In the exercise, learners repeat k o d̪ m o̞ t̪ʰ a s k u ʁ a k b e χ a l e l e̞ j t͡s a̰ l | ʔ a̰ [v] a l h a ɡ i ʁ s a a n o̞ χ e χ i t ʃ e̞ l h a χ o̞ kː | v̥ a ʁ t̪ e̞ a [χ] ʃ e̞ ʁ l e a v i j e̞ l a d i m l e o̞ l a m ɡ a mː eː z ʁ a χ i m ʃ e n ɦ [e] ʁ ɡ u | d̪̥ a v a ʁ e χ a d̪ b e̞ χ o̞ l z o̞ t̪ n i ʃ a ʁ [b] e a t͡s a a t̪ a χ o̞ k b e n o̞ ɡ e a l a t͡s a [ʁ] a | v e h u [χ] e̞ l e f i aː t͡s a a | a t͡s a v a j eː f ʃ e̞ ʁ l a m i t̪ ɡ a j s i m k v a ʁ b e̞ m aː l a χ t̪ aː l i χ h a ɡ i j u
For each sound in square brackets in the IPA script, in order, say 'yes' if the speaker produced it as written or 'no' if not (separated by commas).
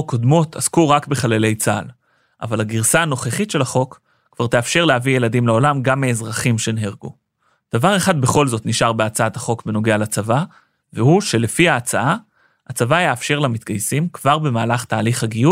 yes, no, yes, yes, no, no